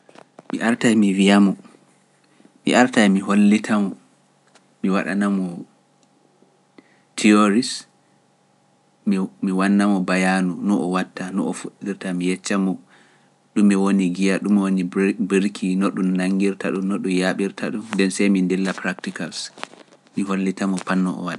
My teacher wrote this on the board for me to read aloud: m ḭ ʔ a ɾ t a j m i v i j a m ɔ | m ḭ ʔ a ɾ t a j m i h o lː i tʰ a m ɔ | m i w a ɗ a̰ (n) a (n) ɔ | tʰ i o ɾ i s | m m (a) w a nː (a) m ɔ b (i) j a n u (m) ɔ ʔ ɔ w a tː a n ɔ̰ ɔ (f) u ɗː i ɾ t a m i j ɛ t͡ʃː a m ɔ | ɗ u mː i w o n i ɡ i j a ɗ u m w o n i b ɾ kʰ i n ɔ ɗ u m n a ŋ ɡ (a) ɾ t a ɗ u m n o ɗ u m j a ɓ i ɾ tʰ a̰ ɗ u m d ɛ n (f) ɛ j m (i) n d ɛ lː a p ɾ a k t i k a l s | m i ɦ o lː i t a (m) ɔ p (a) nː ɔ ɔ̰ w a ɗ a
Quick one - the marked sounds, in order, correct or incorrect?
correct, incorrect, incorrect, correct, incorrect, incorrect, correct, incorrect, incorrect, correct, correct, correct

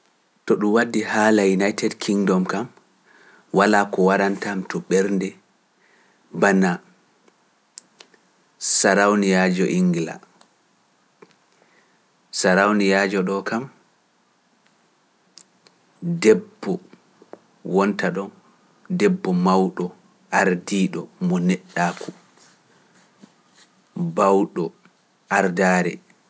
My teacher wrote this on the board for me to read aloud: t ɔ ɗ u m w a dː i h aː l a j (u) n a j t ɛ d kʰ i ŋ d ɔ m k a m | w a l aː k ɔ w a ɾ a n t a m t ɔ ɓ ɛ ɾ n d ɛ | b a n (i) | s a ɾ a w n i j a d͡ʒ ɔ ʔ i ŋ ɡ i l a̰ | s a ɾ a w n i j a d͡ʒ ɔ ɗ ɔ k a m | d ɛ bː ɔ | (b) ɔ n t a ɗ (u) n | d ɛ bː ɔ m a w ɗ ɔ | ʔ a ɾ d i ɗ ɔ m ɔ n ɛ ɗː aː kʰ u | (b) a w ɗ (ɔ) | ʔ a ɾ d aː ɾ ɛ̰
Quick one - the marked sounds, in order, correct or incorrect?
correct, incorrect, incorrect, incorrect, correct, correct

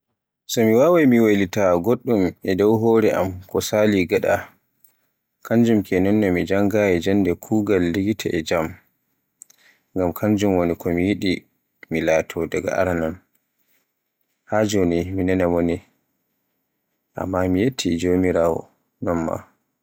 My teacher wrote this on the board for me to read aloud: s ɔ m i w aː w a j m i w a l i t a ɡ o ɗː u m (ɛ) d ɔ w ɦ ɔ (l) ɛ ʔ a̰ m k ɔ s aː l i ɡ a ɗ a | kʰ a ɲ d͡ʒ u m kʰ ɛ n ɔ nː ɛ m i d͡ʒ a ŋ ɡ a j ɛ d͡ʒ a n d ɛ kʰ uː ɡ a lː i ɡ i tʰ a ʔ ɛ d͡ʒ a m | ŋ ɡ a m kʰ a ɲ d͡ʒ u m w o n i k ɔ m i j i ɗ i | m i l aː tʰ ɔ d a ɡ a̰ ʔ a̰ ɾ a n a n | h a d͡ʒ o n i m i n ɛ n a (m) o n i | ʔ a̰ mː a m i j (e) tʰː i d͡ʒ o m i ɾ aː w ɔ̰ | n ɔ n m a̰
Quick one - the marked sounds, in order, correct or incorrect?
correct, incorrect, correct, correct

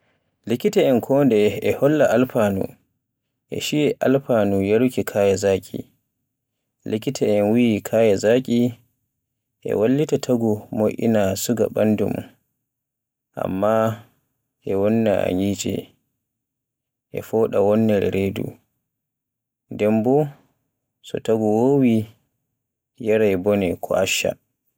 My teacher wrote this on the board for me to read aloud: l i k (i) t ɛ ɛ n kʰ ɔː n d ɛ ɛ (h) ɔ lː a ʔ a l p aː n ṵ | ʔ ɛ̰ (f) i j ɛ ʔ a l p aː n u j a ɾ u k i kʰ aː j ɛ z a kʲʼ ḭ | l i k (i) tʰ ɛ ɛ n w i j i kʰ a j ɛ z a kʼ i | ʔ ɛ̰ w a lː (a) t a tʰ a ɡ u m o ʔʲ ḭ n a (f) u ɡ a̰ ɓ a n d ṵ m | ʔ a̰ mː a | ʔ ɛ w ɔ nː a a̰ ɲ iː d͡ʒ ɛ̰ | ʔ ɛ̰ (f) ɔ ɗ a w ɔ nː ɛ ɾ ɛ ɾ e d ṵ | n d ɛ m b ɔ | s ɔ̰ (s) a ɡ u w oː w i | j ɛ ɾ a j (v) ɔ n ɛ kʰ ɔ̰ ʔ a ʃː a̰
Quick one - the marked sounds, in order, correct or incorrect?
correct, correct, incorrect, correct, incorrect, incorrect, correct, incorrect, incorrect

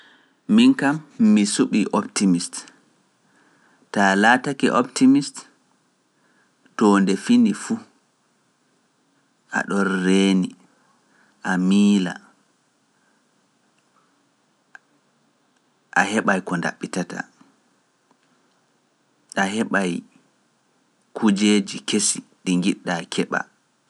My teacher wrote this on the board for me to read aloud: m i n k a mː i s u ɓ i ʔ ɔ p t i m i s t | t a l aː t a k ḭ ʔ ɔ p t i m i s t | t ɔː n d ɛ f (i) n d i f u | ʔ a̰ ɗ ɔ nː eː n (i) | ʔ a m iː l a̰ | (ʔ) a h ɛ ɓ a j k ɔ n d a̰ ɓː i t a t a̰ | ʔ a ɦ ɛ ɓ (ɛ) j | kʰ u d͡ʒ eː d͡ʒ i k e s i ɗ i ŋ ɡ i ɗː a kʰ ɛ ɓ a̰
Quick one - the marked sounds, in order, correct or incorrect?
correct, correct, correct, incorrect

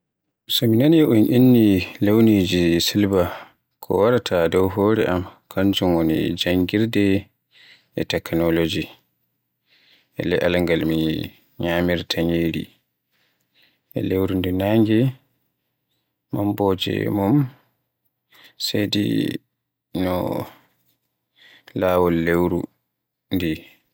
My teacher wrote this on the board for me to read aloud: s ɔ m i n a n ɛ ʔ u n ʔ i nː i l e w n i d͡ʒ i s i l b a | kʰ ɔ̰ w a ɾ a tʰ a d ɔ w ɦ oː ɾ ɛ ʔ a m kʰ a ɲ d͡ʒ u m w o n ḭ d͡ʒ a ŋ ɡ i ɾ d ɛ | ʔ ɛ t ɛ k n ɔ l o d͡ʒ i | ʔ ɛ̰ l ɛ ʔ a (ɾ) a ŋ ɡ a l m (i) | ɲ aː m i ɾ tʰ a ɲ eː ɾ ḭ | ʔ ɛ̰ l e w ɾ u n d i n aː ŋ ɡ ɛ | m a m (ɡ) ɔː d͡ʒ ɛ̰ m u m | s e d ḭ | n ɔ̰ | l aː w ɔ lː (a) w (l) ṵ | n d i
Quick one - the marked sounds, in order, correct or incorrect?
incorrect, correct, incorrect, incorrect, incorrect

